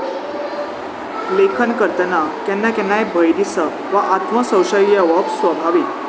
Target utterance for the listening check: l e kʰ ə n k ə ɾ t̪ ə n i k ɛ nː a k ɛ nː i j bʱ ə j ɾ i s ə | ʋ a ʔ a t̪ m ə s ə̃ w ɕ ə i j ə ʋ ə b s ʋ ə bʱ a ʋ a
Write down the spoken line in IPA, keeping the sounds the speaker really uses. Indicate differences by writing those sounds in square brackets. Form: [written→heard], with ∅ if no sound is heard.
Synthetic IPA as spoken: l e kʰ ə n k ə ɾ t̪ ə n [i→a] k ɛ nː a k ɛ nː [i→a] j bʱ ə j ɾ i s ə | ʋ a ʔ a t̪ m ə s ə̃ w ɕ ə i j ə ʋ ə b s ʋ ə bʱ a ʋ [a→i]

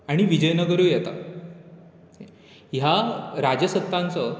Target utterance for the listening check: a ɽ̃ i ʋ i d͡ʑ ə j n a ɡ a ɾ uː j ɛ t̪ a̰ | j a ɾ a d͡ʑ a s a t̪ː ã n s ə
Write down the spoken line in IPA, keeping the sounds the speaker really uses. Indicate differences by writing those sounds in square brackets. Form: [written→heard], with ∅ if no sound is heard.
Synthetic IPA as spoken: a ɽ̃ i ʋ i d͡ʑ ə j n [a→ə] ɡ [a→ə] ɾ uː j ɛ t̪ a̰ | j a ɾ a d͡ʑ [a→ə] s [a→ə] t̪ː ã n [s→t͡s] ə

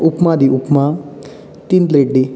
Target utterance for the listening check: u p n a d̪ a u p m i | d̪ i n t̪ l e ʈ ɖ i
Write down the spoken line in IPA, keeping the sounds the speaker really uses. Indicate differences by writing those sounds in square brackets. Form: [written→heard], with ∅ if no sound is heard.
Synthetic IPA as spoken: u p [n→m] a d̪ [a→i] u p m [i→a] | [d̪→t̪] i n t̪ l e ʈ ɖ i

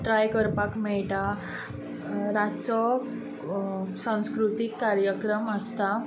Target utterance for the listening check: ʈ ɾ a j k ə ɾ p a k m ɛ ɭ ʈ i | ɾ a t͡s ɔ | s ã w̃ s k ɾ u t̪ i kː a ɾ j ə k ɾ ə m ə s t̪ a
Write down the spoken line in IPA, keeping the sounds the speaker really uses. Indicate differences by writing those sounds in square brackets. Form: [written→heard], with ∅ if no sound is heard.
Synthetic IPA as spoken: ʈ ɾ a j k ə ɾ p a k m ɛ ɭ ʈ [i→a] | ɾ a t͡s ɔ | s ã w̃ s k ɾ u t̪ i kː a ɾ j ə k ɾ ə m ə s t̪ a

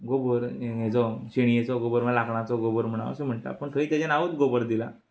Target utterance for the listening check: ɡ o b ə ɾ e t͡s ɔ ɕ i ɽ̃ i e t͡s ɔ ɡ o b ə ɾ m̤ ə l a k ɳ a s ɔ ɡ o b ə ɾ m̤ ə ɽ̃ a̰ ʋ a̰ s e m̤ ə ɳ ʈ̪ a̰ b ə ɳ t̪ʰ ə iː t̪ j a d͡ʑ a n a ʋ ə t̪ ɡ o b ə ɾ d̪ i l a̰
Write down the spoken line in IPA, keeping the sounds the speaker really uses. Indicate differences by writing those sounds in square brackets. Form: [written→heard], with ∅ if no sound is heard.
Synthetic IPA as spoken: ɡ o b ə ɾ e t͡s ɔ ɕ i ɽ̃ i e t͡s ɔ ɡ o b ə ɾ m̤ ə l a k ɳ a [s→t͡s] ɔ ɡ o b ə ɾ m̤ ə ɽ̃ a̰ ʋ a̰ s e m̤ ə ɳ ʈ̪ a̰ [b→p] ə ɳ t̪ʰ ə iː t̪ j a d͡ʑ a n a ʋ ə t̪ ɡ o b ə ɾ d̪ i l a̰

